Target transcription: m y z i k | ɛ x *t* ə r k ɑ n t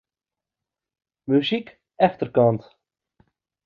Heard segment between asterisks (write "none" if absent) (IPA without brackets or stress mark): t